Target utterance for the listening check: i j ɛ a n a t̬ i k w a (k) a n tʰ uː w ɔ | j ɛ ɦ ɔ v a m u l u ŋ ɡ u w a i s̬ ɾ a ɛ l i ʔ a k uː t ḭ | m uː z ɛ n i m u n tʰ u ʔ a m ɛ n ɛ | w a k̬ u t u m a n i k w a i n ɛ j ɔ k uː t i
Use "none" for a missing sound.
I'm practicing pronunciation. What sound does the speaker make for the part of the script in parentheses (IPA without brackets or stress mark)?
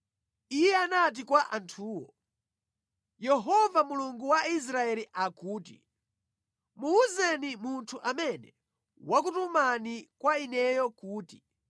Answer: ʔ